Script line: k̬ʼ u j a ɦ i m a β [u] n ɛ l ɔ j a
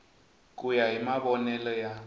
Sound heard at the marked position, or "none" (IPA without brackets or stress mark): ɔ